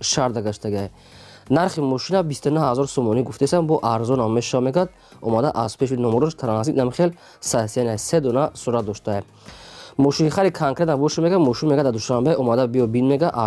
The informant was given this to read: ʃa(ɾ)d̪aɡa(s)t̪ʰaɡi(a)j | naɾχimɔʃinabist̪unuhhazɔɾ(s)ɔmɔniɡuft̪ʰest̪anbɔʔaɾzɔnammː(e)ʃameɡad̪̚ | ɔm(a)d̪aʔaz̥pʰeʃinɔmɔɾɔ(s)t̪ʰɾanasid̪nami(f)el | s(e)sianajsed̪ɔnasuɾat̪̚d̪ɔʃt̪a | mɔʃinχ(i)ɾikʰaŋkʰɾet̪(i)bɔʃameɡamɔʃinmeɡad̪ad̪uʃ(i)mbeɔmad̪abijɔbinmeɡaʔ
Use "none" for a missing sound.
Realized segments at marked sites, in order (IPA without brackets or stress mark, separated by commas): ɾ, ʃ, a, s, e, a, ʃ, χ, a, a, a, a